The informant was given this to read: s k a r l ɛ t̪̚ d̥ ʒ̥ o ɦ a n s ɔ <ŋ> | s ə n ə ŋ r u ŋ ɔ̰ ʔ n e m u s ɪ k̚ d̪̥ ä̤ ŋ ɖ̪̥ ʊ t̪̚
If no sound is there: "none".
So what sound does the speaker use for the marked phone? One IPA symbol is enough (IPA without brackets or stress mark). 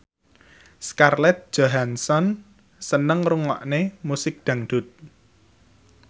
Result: n